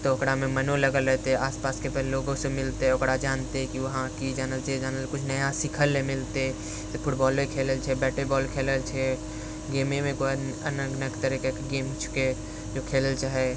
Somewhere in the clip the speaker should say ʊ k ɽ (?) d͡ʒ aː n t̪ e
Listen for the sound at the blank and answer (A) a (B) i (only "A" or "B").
A